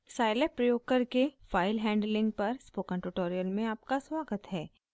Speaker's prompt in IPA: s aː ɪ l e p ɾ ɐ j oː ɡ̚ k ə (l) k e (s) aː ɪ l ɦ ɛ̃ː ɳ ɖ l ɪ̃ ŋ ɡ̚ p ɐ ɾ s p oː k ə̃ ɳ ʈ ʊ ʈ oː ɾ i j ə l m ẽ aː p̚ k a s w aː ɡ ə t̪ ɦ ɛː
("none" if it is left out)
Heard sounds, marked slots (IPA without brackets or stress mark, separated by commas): ɾ, f